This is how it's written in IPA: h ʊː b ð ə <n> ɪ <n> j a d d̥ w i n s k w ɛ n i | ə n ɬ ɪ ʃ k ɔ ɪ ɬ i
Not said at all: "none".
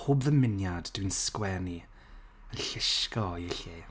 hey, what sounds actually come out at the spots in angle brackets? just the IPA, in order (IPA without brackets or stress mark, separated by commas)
m, n